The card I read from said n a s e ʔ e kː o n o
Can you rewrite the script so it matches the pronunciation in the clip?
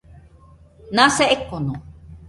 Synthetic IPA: n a s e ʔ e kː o n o

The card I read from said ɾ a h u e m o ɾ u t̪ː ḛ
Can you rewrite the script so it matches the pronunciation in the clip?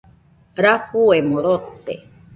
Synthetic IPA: ɾ a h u e m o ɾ o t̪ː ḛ

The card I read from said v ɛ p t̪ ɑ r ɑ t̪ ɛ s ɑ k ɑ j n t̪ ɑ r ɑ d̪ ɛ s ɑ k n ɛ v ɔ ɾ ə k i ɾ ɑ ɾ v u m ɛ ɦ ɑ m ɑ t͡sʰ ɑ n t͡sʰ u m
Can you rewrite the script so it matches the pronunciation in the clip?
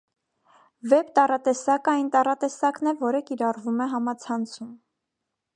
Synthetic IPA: v ɛ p t̪ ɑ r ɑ t̪ ɛ s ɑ k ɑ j n t̪ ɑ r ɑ t̪ ɛ s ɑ k n ɛ v ɔ ɾ ə k i ɾ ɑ r v u m ɛ ɦ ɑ m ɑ t͡sʰ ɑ n t͡sʰ u m

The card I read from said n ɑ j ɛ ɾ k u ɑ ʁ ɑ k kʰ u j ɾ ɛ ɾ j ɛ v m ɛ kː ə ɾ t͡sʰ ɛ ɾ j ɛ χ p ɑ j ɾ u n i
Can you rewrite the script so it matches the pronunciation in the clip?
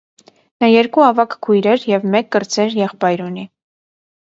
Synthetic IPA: n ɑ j ɛ ɾ k u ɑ v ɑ k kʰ u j ɾ ɛ ɾ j ɛ v m ɛ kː ə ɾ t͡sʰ ɛ ɾ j ɛ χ p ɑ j ɾ u n i

